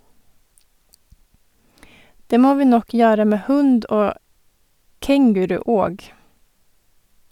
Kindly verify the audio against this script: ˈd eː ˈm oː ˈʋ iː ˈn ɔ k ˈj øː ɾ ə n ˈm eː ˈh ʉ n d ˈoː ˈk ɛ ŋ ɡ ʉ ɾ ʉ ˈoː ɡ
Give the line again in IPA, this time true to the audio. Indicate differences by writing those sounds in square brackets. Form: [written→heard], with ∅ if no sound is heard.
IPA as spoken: ˈd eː ˈm oː ˈʋ iː ˈn ɔ k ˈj øː ɾ ə [n→∅] ˈm eː ˈh ʉ n d ˈoː ˈk ɛ ŋ ɡ ʉ ɾ ʉ ˈoː ɡ